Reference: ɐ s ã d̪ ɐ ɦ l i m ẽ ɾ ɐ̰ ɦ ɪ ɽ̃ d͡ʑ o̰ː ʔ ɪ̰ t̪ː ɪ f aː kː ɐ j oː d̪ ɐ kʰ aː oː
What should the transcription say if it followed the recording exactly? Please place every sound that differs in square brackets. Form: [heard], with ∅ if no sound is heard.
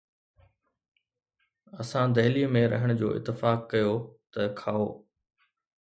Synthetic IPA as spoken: ɐ s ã d̪ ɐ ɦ l i m ẽ ɾ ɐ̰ ɦ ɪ ɽ̃ d͡ʑ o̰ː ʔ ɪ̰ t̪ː ɪ f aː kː ɐ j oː [t̪] ɐ kʰ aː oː